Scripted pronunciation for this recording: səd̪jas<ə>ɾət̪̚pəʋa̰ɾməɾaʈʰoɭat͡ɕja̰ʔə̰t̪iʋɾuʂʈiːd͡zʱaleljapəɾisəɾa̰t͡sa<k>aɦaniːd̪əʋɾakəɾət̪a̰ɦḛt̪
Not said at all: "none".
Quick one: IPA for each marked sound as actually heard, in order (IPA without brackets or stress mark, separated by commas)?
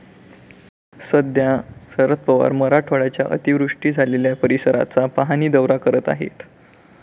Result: ə, p